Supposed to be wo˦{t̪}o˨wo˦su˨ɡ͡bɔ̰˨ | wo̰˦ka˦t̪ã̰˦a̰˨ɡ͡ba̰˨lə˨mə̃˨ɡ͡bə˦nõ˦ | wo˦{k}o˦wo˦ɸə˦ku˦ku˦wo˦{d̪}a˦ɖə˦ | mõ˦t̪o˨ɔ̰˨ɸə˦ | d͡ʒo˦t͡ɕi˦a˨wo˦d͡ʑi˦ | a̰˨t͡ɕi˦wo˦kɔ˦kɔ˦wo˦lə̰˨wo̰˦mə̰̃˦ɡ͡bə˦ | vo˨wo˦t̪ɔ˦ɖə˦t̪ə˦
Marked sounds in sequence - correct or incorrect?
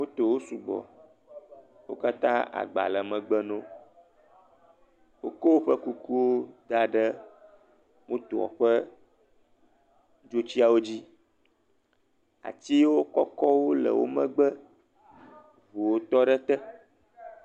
correct, correct, correct

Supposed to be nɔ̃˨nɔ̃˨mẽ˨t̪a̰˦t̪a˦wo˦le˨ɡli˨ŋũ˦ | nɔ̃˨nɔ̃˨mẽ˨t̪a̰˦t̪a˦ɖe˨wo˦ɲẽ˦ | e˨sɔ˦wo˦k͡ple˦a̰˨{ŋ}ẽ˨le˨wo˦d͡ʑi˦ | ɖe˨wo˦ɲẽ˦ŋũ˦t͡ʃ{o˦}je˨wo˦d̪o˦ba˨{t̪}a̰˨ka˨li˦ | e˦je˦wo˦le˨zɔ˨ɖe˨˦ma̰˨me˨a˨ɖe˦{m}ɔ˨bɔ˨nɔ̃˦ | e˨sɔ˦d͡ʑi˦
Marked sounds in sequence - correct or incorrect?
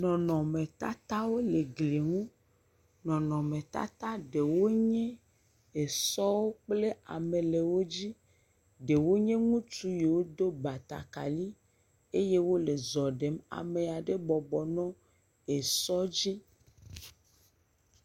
incorrect, incorrect, correct, incorrect

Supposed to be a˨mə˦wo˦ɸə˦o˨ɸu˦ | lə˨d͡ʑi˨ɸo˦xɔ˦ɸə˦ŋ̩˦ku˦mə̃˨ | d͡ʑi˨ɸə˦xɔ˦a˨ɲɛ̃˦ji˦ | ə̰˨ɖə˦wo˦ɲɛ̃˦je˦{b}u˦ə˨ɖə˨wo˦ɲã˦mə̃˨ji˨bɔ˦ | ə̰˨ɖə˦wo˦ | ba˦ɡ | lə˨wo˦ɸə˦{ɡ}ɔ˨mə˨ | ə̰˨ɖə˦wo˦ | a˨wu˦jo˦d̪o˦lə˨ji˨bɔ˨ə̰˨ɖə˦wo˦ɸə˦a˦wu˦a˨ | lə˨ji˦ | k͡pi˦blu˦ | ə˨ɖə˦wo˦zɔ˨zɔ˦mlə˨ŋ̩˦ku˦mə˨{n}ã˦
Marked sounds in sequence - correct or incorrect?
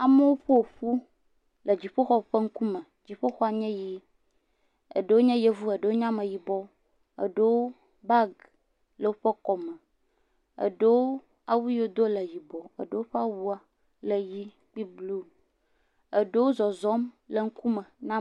incorrect, incorrect, correct

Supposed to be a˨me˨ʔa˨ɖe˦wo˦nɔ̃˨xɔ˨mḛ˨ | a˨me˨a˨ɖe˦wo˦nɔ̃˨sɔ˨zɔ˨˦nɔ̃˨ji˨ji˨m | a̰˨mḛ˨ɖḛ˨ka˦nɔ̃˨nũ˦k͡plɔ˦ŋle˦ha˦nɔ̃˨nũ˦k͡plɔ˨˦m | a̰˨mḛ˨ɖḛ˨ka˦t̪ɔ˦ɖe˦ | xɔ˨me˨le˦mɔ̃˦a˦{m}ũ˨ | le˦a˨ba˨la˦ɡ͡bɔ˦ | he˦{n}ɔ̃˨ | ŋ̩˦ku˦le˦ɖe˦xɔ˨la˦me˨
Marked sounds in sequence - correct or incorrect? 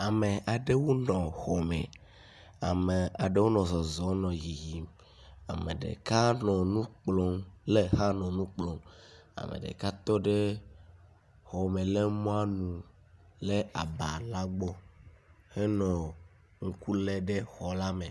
incorrect, correct

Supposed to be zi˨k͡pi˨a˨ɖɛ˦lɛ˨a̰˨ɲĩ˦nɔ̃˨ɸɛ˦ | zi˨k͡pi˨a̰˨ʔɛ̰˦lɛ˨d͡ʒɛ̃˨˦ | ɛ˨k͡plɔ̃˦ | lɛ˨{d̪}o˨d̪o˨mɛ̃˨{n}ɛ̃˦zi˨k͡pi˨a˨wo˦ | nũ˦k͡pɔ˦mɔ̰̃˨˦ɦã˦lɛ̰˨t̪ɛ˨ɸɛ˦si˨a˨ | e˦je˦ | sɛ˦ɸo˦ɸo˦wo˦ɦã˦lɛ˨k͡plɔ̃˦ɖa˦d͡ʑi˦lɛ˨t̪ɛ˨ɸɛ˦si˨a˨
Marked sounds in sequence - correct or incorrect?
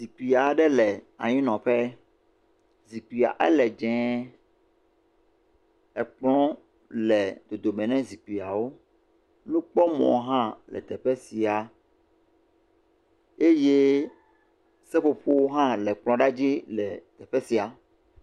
correct, correct

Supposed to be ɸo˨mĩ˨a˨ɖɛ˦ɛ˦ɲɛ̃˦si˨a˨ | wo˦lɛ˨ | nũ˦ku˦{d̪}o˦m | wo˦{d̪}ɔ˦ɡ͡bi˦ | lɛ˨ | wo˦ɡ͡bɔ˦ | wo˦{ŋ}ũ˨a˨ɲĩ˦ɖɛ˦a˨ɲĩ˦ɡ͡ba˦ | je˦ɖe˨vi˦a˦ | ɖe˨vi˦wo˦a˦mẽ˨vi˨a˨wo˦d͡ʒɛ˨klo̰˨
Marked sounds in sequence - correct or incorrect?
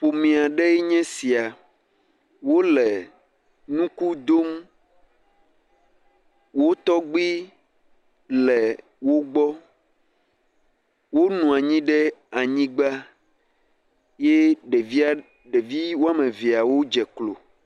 correct, incorrect, incorrect

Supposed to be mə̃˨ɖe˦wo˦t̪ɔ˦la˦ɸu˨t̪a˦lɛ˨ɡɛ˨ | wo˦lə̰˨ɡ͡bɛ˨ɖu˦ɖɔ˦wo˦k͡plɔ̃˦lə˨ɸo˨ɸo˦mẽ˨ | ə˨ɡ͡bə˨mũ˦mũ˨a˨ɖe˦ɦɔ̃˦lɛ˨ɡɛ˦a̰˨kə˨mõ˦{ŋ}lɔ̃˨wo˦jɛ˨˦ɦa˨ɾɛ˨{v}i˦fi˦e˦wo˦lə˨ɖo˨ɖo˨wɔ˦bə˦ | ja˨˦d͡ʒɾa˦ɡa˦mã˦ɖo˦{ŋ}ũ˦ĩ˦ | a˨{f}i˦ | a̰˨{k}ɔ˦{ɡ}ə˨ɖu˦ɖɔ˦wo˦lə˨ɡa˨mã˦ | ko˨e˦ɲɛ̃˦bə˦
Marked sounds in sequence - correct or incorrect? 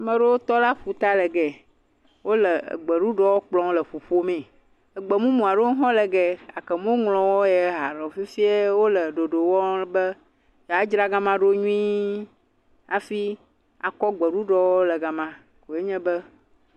correct, incorrect, incorrect, correct, correct, incorrect

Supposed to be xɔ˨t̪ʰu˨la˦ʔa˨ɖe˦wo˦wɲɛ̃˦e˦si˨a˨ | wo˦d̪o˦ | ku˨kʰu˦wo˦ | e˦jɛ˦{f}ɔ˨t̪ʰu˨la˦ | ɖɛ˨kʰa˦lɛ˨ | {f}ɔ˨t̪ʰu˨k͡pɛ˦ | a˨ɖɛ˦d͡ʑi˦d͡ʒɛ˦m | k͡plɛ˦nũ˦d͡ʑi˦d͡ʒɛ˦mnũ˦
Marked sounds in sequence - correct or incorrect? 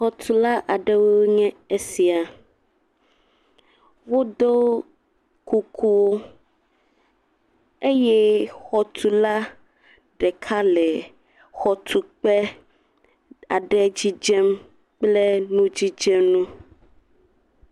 incorrect, incorrect

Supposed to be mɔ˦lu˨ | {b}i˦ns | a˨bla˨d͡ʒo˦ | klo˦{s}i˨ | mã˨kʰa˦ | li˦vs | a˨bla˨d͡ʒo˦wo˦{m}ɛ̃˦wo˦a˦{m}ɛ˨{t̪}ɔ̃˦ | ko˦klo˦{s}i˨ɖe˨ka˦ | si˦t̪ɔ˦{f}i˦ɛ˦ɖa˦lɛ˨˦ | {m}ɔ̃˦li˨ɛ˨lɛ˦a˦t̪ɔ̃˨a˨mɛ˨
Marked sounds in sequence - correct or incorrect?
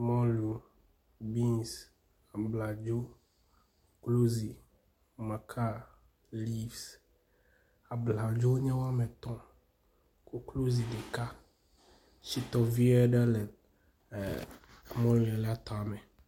correct, incorrect, incorrect, correct, correct, incorrect, incorrect, correct

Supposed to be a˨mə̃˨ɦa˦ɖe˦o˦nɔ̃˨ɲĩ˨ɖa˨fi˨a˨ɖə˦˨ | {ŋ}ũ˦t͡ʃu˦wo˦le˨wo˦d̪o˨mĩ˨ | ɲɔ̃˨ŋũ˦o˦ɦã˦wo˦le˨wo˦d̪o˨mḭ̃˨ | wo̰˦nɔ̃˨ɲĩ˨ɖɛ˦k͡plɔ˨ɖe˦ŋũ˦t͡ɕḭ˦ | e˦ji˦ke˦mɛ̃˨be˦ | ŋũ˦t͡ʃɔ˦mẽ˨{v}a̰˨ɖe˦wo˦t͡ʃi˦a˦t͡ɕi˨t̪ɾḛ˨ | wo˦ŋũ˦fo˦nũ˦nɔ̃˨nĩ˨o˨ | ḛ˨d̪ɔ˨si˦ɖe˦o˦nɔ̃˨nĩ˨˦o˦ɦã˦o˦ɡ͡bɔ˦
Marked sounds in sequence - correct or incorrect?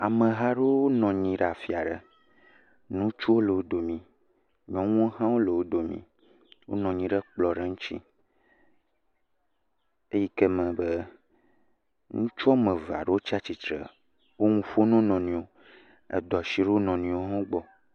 incorrect, correct

